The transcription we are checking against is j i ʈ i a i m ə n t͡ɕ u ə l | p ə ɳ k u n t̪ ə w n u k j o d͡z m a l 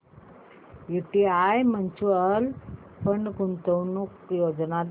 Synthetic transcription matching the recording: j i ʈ i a j m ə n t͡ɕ u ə l | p ə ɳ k u n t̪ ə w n u k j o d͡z n a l